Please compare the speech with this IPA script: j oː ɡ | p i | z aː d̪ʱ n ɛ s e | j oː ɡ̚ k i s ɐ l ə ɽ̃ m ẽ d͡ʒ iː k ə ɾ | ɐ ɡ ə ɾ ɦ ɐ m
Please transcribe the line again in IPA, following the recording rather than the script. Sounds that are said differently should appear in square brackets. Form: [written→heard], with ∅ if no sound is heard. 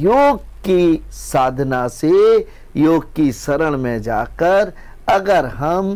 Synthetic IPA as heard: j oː ɡ | [p→k] i | [z→s] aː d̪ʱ n [ɛ→a] s e | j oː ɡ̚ k i s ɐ [l→ɾ] ə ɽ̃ m ẽ d͡ʒ [iː→aː] k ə ɾ | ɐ ɡ ə ɾ ɦ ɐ m